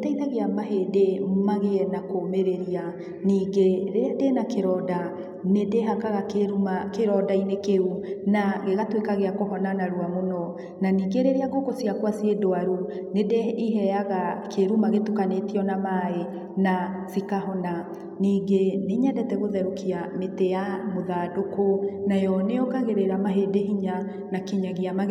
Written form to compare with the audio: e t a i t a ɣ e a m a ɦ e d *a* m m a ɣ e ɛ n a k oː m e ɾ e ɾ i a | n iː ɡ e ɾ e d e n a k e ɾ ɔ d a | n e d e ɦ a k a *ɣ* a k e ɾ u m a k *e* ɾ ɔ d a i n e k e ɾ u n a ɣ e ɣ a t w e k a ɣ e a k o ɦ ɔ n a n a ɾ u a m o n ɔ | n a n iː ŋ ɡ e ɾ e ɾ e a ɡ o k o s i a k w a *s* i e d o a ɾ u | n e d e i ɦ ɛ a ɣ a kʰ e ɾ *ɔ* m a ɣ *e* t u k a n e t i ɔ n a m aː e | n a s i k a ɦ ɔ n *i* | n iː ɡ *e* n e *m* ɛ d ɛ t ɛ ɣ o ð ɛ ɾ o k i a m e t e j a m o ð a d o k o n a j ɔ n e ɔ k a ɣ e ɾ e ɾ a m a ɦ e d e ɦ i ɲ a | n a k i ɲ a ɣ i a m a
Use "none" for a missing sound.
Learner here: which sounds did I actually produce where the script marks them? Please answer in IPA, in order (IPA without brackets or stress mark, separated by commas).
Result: e, ɣ, e, s, u, e, a, e, ɲ